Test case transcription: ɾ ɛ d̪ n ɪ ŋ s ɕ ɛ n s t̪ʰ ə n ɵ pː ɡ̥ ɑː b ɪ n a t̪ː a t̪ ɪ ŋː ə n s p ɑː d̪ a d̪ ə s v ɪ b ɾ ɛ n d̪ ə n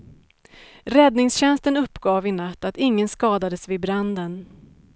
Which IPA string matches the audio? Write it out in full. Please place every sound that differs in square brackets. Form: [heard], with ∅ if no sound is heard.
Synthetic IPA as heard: ɾ ɛ d̪ n ɪ ŋ s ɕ ɛ n s [t̪] ə n ɵ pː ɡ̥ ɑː [v] ɪ n a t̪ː a t̪ ɪ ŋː ə n s [k] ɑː d̪ a d̪ ə s v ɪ b ɾ [a] n d̪ ə n